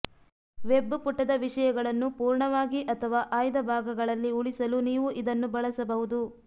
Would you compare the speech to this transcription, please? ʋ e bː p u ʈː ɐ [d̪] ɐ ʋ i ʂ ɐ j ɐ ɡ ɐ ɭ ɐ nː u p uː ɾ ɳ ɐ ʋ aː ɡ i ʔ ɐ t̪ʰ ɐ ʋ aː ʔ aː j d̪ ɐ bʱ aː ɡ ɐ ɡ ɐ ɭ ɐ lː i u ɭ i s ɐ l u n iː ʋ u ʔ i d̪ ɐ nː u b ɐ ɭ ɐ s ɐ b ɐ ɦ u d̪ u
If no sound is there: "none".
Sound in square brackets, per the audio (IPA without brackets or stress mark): d̪